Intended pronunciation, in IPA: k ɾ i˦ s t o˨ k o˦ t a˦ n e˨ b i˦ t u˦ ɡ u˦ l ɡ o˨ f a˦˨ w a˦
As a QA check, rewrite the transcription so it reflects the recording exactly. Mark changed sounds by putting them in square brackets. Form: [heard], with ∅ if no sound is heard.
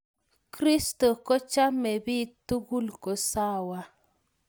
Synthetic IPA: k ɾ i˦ s t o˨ k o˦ [t͡ʃ] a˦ [m] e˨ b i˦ t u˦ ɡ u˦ l [k] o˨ [s] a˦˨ w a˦